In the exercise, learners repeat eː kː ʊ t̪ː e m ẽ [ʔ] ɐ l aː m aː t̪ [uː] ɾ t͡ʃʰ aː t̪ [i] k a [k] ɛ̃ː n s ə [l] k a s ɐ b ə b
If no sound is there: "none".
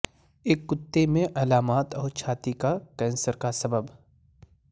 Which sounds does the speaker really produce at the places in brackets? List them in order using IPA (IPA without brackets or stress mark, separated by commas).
ʔ, ɔː, i, k, ɾ